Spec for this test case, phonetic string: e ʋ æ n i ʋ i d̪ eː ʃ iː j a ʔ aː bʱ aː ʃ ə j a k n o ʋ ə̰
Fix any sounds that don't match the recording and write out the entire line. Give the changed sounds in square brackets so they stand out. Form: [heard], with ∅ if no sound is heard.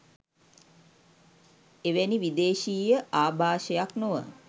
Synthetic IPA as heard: e ʋ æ n i ʋ i d̪ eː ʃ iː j [ə] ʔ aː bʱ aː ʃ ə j a k n o ʋ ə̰